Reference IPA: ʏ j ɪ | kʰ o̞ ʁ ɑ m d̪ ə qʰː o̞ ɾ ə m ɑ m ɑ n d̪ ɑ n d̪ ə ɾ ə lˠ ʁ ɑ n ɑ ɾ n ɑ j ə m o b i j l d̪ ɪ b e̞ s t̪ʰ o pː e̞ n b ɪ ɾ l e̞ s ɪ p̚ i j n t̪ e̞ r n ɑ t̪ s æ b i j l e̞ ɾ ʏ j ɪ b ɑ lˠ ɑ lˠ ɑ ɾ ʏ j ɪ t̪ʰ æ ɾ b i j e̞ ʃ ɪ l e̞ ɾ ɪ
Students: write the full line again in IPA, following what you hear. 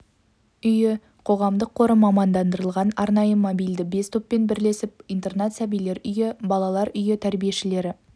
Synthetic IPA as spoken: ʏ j ɪ | qʰ o̞ ʁ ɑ m d̪ ə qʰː o̞ ɾ ə m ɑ m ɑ n d̪ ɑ n d̪ ə ɾ ə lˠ ʁ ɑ n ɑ ɾ n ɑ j ə m o b i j l d̪ ɪ b e̞ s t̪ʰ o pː e̞ n b ɪ ɾ l e̞ s ɪ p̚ i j n t̪ e̞ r n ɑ t̪ s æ b i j l e̞ ɾ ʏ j ɪ b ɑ lˠ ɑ lˠ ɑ ɾ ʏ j ɪ t̪ʰ æ ɾ b i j e̞ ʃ ɪ l e̞ ɾ ɪ